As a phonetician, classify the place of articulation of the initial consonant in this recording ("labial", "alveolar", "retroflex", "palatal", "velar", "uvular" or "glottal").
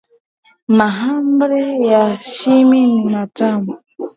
labial